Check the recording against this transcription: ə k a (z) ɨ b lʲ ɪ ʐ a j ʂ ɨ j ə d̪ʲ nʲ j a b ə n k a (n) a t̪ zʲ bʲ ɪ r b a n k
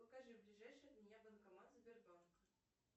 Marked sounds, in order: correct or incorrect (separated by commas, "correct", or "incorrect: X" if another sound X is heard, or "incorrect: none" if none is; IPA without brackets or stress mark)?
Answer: incorrect: ʐ, incorrect: m